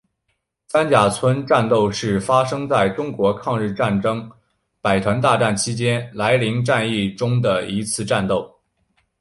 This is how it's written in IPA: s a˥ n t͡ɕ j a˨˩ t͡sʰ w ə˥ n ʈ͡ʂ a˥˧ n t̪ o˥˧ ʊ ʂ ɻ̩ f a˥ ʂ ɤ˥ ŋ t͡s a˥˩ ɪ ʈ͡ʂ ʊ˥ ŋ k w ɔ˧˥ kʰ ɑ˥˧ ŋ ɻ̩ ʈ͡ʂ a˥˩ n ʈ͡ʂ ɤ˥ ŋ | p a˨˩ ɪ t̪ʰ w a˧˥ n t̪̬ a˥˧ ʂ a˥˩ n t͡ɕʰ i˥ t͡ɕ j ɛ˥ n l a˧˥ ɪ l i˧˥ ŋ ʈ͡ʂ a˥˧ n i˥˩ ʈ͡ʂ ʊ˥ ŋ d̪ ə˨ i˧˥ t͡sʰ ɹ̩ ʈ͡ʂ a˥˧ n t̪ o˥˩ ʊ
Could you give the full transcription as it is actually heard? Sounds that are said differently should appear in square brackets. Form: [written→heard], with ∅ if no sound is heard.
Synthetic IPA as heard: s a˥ n t͡ɕ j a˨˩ t͡sʰ w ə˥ n ʈ͡ʂ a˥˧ n t̪ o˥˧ ʊ ʂ ɻ̩ f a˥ ʂ ɤ˥ ŋ t͡s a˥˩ ɪ ʈ͡ʂ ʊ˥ ŋ k w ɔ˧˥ kʰ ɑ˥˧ ŋ ɻ̩ ʈ͡ʂ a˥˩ n ʈ͡ʂ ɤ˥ ŋ | p a˨˩ ɪ t̪ʰ w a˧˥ n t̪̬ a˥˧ [ʂ→ʈ͡ʂ] a˥˩ n t͡ɕʰ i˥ t͡ɕ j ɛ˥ n l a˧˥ ɪ l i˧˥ ŋ ʈ͡ʂ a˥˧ n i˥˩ ʈ͡ʂ ʊ˥ ŋ d̪ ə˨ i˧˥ t͡sʰ ɹ̩ ʈ͡ʂ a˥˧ n t̪ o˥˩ ʊ